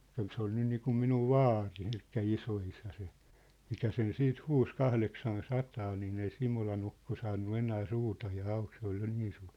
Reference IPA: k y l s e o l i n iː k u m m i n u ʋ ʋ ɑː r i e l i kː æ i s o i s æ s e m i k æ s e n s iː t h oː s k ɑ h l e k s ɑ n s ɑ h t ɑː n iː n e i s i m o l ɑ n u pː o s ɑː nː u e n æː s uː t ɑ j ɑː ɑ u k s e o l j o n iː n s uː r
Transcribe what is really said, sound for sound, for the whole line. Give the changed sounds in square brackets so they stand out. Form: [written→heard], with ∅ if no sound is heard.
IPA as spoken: k y l s e o l i n iː k u m m i n u ʋ ʋ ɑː r i e l i kː æ i s o i s æ s e m i k æ s e n s iː t h [oː→uː] s k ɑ h l e k s ɑ n s ɑ [h→∅] t ɑː n iː n e i s i m o l ɑ n u [pː→kː] o s ɑː nː u e n æː s uː t ɑ j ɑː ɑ u k s e o l j o n iː n s uː r